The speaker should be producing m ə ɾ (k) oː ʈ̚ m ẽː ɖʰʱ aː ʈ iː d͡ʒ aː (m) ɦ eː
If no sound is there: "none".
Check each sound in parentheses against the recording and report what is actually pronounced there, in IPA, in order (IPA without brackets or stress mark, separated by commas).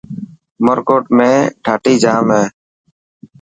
k, m